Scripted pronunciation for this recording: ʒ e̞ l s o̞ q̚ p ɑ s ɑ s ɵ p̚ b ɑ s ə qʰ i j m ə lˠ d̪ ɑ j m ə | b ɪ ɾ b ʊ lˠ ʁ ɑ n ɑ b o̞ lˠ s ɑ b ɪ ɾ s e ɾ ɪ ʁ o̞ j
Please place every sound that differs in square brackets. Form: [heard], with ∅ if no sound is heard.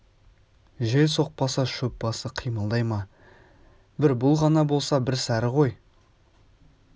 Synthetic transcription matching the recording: ʒ e̞ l s o̞ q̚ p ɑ s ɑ [ʃ] ɵ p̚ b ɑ s ə qʰ i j m ə lˠ d̪ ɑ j m [ɑ] | b ɪ ɾ b ʊ lˠ ʁ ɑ n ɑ b o̞ lˠ s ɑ b ɪ ɾ s [æ] ɾ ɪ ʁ o̞ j